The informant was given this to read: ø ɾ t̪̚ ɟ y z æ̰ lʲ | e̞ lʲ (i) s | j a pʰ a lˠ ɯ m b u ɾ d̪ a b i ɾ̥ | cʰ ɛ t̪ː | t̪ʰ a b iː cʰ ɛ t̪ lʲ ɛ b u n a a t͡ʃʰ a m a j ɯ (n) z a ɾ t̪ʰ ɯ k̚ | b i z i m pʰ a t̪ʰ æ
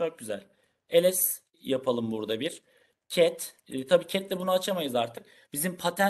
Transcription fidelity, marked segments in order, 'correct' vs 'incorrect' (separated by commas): incorrect, incorrect